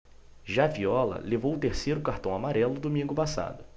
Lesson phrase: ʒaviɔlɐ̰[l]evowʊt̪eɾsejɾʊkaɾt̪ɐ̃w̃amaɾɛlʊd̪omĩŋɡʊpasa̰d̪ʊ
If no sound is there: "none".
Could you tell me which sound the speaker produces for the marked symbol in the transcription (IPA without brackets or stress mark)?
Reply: l